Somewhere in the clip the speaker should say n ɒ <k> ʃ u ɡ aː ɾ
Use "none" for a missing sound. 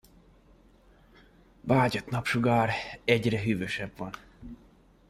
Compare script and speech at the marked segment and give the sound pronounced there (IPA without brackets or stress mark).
p